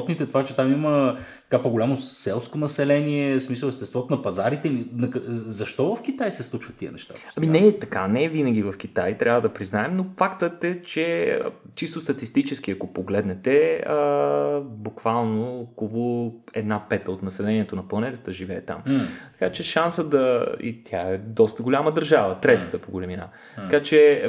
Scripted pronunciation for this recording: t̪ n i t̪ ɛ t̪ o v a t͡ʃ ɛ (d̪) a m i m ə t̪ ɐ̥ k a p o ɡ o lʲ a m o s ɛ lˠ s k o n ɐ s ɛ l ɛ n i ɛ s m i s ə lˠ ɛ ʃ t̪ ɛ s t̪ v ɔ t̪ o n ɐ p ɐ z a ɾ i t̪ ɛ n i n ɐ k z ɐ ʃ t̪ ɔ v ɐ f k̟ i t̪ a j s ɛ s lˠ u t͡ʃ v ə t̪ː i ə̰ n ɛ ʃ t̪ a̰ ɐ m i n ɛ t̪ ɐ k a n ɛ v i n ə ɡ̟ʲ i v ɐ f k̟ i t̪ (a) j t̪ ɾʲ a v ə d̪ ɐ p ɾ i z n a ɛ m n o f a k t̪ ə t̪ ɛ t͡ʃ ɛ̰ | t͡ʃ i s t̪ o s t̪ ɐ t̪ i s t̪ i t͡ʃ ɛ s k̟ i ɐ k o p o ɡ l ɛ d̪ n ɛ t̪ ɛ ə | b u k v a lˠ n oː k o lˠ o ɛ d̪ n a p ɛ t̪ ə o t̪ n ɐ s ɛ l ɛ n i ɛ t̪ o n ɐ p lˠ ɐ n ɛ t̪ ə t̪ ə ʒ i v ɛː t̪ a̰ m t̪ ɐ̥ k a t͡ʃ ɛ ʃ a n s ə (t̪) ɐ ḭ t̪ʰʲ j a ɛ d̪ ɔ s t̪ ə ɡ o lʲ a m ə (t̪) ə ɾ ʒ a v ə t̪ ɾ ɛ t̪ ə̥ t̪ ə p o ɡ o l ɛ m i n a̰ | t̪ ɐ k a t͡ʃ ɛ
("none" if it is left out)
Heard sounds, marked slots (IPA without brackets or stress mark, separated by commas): t̪, a, d̪, d̪